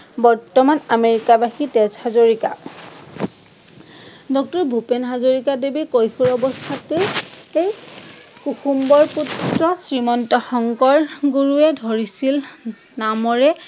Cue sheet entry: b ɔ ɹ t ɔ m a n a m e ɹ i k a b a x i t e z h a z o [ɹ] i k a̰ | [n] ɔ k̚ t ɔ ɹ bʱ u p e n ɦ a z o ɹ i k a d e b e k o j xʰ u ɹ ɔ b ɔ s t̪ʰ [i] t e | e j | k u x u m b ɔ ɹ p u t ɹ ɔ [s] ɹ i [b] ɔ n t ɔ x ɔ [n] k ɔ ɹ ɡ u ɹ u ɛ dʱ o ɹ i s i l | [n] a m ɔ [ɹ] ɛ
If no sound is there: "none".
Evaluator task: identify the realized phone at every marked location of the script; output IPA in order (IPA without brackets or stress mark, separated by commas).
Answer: ɹ, d, a, s, m, ŋ, n, ɹ